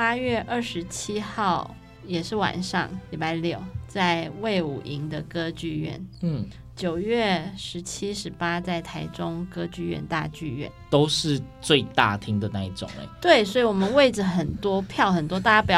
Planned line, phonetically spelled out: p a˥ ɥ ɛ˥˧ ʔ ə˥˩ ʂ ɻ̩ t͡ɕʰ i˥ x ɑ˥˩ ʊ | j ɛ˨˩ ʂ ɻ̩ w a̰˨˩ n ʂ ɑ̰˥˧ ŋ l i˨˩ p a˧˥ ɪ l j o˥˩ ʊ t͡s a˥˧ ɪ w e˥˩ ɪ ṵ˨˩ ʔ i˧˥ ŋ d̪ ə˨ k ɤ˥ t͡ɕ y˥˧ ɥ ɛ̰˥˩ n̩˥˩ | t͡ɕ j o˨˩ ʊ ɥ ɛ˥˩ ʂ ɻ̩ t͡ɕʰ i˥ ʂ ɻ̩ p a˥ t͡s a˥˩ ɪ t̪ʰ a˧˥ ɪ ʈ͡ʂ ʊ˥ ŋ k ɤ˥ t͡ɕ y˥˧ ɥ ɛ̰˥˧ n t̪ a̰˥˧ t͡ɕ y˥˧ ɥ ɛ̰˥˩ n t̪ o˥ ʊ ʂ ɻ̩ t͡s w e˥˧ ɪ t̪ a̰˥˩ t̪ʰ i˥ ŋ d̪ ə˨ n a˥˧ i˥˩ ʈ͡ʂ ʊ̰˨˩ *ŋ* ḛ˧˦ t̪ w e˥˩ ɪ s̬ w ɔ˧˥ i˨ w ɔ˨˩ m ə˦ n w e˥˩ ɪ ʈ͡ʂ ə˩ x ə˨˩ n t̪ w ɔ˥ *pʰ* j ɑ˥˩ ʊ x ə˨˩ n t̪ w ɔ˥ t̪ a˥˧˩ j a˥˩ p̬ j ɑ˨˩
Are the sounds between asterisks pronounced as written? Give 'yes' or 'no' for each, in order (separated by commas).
yes, yes